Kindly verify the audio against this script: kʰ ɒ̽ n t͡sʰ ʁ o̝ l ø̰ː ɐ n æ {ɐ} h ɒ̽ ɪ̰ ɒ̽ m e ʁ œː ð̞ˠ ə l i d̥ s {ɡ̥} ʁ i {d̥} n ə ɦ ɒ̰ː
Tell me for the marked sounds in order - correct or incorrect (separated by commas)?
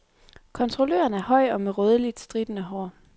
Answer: correct, incorrect, correct